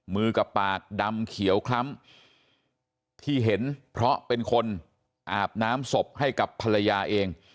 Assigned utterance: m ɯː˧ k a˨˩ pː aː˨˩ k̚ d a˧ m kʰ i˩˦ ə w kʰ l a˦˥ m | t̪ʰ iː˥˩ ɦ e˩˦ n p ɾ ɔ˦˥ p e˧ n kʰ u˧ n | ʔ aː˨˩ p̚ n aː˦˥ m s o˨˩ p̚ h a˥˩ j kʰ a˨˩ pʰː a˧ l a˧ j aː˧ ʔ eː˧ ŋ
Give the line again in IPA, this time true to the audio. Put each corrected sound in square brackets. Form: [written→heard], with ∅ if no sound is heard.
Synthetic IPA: m ɯː˧ k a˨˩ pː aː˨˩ k̚ d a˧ m kʰ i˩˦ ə w kʰ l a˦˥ m | t̪ʰ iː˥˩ ɦ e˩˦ n [p→pʰ] ɾ ɔ˦˥ p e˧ n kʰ [u˧→o˧] n | ʔ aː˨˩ p̚ n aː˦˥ m s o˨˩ p̚ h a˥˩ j [kʰ→k] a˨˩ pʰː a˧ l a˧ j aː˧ ʔ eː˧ ŋ